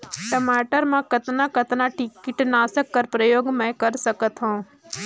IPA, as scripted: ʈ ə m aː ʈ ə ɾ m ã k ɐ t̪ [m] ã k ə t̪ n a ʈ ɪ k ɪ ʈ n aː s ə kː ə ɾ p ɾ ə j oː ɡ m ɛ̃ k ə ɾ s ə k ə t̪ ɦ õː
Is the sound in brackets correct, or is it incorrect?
incorrect